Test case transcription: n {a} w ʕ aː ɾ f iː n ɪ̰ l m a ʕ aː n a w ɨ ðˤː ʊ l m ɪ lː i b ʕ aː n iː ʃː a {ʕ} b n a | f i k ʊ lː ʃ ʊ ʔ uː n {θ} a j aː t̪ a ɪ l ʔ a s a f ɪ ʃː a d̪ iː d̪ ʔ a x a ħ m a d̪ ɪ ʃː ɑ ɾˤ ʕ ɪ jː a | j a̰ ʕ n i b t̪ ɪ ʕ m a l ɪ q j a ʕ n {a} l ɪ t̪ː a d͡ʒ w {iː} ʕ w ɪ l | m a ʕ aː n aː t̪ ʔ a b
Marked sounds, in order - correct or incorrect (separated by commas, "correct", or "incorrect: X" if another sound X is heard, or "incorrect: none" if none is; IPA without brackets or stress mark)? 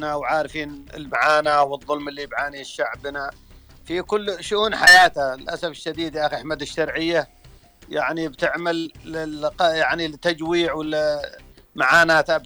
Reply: correct, correct, incorrect: ħ, incorrect: i, correct